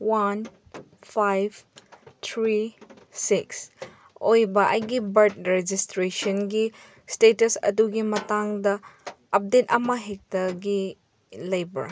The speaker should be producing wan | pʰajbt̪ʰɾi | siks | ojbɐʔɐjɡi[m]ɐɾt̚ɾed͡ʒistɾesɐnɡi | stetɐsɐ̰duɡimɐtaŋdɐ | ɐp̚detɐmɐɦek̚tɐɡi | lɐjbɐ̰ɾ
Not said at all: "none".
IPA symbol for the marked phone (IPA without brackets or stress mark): b